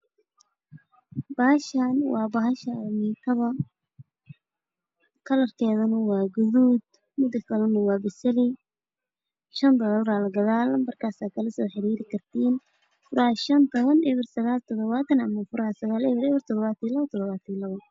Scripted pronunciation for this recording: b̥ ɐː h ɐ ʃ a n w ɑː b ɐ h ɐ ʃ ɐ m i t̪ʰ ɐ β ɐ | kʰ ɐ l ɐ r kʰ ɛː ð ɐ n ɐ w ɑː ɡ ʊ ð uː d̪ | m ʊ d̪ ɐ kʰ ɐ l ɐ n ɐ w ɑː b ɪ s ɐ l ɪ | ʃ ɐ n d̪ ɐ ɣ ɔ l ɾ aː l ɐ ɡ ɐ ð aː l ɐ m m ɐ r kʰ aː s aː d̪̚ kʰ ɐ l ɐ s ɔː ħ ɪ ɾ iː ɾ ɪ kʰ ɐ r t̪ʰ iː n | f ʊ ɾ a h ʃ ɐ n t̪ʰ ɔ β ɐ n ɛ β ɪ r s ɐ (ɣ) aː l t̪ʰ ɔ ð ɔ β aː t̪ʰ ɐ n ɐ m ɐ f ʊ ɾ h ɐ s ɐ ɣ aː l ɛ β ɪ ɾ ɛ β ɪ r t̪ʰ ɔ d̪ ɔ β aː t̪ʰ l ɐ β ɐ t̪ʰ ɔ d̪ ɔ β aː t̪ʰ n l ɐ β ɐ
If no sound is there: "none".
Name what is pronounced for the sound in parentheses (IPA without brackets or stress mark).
ɣ